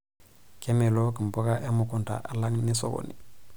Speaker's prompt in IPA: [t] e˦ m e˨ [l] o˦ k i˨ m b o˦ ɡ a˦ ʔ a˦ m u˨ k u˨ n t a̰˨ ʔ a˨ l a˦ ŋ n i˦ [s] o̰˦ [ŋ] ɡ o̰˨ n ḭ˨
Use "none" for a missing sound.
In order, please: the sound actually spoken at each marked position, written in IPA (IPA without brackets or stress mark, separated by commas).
k, l, s, none